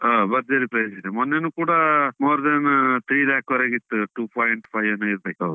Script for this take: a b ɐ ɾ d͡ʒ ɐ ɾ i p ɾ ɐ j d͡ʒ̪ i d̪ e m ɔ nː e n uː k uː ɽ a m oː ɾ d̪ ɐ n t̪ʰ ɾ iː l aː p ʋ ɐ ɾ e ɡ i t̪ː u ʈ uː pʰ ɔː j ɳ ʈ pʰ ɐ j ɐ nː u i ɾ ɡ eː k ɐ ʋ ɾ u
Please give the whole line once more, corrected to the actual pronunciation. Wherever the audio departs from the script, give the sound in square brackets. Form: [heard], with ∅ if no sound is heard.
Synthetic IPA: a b ɐ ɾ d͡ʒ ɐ ɾ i p ɾ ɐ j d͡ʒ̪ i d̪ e m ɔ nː e n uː k uː ɽ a m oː ɾ d̪ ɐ n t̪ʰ ɾ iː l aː [k] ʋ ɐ ɾ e ɡ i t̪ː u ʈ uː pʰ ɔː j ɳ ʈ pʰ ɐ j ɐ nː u i ɾ [b] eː k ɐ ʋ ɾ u